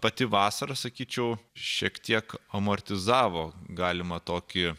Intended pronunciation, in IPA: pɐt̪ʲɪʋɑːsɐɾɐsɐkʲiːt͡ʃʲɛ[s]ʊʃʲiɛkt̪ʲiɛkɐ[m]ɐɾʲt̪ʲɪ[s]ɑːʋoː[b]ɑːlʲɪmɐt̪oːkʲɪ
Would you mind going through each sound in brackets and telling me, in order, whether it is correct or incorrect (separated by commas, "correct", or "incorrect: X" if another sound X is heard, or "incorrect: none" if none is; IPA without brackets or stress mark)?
incorrect: none, correct, incorrect: z, incorrect: ɡ